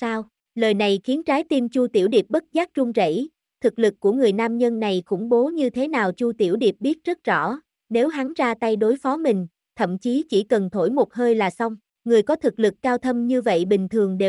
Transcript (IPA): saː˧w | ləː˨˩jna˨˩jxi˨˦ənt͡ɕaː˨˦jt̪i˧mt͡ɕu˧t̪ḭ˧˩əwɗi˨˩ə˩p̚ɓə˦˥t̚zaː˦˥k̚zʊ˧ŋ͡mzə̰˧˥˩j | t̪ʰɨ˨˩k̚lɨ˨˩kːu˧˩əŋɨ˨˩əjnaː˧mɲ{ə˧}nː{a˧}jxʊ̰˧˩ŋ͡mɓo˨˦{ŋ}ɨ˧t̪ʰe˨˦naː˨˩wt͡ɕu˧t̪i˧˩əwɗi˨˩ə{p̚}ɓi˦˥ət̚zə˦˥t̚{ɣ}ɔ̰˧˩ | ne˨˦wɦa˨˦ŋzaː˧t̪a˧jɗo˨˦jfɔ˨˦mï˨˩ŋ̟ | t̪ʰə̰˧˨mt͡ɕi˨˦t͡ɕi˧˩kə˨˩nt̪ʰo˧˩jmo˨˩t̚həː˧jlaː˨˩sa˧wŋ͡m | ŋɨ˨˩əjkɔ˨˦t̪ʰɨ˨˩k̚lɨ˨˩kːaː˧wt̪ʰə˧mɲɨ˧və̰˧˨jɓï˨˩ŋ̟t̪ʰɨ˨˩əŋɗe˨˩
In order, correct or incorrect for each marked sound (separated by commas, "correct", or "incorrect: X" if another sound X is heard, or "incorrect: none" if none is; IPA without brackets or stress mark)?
correct, incorrect: a˨˩, incorrect: ɲ, correct, incorrect: z